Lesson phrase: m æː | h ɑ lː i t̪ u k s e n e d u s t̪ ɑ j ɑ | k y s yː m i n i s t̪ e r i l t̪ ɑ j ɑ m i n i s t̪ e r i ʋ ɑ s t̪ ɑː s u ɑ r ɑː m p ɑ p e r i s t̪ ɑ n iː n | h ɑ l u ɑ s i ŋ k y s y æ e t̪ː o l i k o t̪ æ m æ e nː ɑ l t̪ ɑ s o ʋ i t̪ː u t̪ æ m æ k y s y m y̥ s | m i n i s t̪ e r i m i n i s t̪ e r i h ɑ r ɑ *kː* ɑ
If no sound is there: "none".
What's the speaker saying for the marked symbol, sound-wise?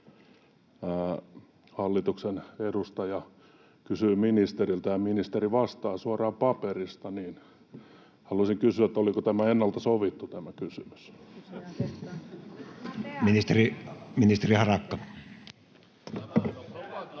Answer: kː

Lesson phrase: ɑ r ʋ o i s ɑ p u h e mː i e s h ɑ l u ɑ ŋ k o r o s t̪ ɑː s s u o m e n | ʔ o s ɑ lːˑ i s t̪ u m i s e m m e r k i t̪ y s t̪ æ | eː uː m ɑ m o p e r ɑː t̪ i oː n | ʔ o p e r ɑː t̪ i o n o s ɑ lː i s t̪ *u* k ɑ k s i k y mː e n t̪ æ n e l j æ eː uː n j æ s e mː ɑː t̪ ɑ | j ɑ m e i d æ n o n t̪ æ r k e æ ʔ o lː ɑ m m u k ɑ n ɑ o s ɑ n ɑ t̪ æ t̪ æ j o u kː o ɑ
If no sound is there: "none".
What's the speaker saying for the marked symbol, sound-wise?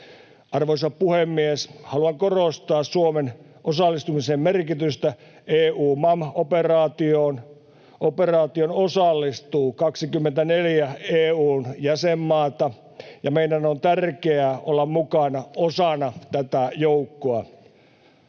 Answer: uː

